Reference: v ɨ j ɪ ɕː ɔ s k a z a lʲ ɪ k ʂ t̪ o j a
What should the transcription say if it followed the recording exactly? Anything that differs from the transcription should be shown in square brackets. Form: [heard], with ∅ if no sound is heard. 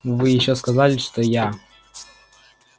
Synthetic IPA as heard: v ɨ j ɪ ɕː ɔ s k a z a lʲ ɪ [∅] ʂ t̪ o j a